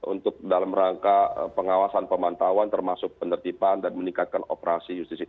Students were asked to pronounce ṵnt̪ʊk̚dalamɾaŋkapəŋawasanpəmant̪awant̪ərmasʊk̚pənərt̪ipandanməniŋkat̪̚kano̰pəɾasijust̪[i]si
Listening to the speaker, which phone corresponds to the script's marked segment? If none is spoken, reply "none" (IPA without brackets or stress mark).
i